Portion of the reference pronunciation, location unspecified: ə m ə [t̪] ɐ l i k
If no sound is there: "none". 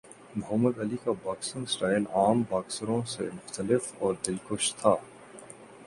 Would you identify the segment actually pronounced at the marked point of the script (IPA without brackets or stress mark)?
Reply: d̪